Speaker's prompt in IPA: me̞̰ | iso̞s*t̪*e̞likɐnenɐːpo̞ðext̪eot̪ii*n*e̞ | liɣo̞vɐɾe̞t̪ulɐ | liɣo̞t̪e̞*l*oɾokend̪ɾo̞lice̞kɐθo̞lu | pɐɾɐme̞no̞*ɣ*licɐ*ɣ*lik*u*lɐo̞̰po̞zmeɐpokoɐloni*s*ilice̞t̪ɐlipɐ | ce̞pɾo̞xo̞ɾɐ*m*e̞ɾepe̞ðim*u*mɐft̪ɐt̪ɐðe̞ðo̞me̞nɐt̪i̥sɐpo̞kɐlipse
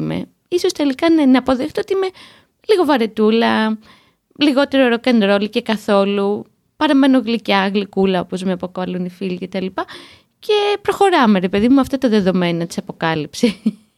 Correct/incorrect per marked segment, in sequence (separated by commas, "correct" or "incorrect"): correct, incorrect, incorrect, correct, correct, correct, incorrect, correct, correct